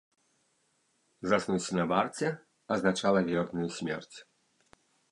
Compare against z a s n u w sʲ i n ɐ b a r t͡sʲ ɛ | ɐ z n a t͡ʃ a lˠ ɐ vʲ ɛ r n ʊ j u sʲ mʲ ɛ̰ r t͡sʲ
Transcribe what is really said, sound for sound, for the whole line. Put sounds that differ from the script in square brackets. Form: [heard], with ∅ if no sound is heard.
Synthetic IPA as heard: z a s n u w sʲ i n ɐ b a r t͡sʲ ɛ | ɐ z n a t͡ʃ a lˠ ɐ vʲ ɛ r n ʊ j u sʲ mʲ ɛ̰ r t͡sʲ